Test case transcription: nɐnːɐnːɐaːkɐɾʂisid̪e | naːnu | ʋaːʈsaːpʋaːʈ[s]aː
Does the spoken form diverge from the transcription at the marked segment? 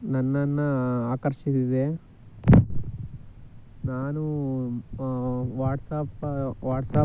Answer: no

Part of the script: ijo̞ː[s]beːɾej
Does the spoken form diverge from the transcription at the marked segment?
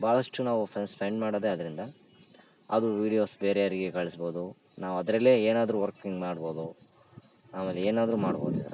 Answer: no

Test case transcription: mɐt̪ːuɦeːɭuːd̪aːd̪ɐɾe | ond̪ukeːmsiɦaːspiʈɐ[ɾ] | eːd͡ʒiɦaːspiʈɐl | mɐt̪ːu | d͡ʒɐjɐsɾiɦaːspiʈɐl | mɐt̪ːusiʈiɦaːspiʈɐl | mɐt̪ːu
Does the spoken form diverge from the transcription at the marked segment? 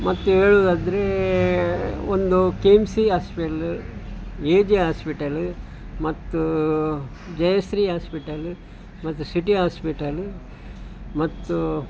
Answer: yes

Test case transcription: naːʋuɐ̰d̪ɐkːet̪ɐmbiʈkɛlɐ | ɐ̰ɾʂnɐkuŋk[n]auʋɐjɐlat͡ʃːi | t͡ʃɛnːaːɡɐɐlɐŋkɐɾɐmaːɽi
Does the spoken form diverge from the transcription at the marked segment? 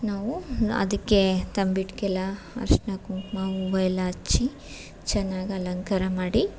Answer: yes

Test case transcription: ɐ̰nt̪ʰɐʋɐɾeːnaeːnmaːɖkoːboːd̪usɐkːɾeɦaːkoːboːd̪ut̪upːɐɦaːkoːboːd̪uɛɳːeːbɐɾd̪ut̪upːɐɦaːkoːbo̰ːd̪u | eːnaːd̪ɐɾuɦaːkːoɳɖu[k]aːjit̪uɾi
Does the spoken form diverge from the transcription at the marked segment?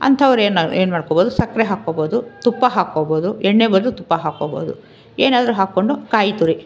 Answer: no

